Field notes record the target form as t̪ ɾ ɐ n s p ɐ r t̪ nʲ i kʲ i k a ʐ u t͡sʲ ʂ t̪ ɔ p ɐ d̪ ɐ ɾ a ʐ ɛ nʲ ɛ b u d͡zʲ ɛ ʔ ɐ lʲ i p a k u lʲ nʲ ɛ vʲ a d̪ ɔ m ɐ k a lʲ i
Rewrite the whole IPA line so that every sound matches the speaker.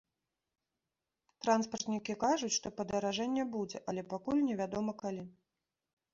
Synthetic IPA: t̪ ɾ a n s p ɐ r t̪ nʲ i kʲ i k a ʐ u t͡sʲ ʂ t̪ ɔ p ɐ d̪ ɐ ɾ a ʐ ɛ nʲː ɛ b u d͡zʲ ɛ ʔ ɐ lʲ ɛ p a k u lʲ nʲ ɛ vʲ a d̪ ɔ m ɐ k a lʲ i